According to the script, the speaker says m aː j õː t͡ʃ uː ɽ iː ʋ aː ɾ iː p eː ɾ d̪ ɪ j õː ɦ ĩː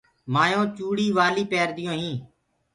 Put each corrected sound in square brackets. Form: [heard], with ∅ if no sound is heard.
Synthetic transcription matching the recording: m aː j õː t͡ʃ uː ɽ iː ʋ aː [l] iː p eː ɾ d̪ ɪ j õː ɦ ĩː